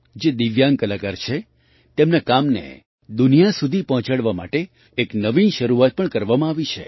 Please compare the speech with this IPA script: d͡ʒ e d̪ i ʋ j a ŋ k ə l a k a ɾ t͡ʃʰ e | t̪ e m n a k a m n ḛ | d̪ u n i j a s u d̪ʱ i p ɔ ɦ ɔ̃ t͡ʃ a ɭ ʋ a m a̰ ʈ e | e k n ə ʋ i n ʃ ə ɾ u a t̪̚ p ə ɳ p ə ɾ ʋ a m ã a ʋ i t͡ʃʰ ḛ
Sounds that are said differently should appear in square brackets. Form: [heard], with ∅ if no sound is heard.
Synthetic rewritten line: d͡ʒ e d̪ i ʋ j a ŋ k ə l a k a ɾ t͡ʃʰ e | t̪ e m n a k a m n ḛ | d̪ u n i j a s u d̪ʱ i p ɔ ɦ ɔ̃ t͡ʃ a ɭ ʋ a m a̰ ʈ e | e k n ə ʋ i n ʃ ə ɾ u a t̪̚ p ə ɳ [k] ə ɾ ʋ a m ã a ʋ i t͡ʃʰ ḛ

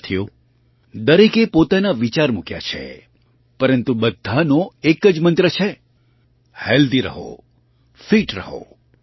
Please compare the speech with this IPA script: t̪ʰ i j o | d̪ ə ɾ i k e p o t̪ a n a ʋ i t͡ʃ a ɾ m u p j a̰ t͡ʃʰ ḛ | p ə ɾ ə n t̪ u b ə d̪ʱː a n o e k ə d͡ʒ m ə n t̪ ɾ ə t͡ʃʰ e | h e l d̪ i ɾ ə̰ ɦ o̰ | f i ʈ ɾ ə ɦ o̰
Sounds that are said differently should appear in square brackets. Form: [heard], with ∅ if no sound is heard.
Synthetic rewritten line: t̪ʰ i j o | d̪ ə ɾ i k e p o t̪ a n a ʋ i t͡ʃ a ɾ m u [k] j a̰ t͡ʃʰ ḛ | p ə ɾ ə n t̪ u b ə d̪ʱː a n o e k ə d͡ʒ m ə n t̪ ɾ ə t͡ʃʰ e | h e l d̪ i ɾ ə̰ ɦ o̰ | f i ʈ ɾ ə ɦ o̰

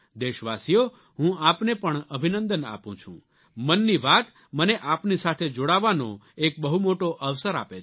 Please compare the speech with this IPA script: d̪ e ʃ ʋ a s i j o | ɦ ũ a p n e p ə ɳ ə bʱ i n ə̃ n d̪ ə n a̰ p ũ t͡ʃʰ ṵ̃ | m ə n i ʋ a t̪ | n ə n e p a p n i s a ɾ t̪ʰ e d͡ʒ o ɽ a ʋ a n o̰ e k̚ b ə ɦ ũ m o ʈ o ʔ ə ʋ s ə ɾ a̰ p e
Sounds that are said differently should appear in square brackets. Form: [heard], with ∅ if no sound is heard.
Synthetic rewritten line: d̪ e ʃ ʋ a s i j o | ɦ ũ a p n e p ə ɳ ə bʱ i n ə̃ n d̪ ə n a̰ p ũ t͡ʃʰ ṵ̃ | m ə [nː] i ʋ a t̪ | [m] ə n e [ʔ] a p n i s a [∅] t̪ʰ e d͡ʒ o ɽ a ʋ a n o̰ e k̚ b ə ɦ [u] m o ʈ o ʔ ə ʋ s ə ɾ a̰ p e

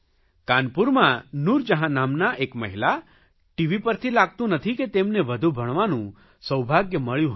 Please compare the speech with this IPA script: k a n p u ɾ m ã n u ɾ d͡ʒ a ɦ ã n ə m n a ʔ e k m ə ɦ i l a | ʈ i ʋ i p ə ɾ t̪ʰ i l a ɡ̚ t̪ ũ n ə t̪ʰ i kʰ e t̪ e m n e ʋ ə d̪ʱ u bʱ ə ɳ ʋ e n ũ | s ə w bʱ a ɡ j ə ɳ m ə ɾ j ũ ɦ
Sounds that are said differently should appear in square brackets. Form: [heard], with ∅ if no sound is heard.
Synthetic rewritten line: k a n p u ɾ m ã n u ɾ d͡ʒ [ə] ɦ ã n [a] m n a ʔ e k m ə ɦ i l a | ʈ i ʋ i p ə ɾ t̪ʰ i l a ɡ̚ t̪ ũ n ə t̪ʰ i [k] e t̪ e m n e ʋ ə d̪ʱ u bʱ ə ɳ ʋ [a] n ũ | s ə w bʱ a ɡ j ə [∅] m ə [ɭ] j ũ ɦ

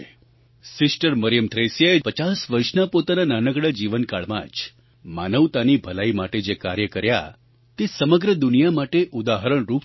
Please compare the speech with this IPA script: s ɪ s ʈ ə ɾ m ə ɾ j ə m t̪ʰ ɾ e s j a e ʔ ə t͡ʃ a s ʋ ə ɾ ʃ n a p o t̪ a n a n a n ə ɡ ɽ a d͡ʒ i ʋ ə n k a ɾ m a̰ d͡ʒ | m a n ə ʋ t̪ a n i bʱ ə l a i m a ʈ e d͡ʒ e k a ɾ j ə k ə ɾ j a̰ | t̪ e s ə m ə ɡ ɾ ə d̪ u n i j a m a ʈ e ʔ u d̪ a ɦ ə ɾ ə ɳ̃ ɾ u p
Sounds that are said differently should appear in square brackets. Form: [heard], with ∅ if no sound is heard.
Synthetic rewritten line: s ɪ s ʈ ə ɾ m ə ɾ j ə m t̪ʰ ɾ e s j a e [p] ə t͡ʃ a s ʋ ə ɾ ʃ n a p o t̪ a n a n a n ə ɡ ɽ a d͡ʒ i ʋ ə n k a [ɭ] m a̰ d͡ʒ | m a n ə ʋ t̪ a n i bʱ ə l a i m a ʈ e d͡ʒ e k a ɾ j ə k ə ɾ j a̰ | t̪ e s ə m ə ɡ ɾ ə d̪ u n i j a m a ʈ e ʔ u d̪ a ɦ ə ɾ ə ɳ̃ ɾ u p

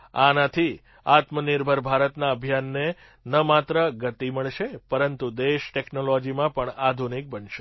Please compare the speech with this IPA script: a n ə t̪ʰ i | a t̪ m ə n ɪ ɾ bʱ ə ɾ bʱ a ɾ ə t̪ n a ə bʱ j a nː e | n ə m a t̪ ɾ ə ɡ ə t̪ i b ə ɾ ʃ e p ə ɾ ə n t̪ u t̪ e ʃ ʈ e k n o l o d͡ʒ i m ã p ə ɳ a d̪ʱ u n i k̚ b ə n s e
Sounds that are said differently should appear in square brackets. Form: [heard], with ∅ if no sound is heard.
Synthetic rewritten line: a n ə t̪ʰ i | a t̪ m ə n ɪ ɾ bʱ ə ɾ bʱ a ɾ ə t̪ n a ə bʱ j a nː e | n ə m a t̪ ɾ ə ɡ ə t̪ i [m] ə [ɭ] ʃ e p ə ɾ ə n t̪ u [d̪] e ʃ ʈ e k n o l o d͡ʒ i m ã p ə ɳ a d̪ʱ u n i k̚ b ə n [ʃ] e

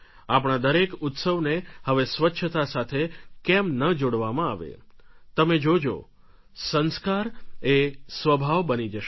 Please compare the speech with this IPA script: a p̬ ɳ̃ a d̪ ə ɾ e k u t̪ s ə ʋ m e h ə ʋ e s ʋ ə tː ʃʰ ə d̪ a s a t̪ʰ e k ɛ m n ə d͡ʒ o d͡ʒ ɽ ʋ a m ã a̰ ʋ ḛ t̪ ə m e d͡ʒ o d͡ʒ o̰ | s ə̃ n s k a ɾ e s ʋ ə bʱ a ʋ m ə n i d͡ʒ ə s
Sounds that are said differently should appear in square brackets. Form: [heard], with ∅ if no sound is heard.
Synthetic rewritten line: a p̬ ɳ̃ a d̪ ə ɾ e k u t̪ s ə ʋ [n] e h ə ʋ e s ʋ ə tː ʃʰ ə [t̪] a s a t̪ʰ e k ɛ m n ə d͡ʒ o [∅] ɽ ʋ a m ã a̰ ʋ ḛ t̪ ə m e d͡ʒ o d͡ʒ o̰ | s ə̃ n s k a ɾ e s ʋ ə bʱ a ʋ [b] ə n i d͡ʒ ə [ʃ]

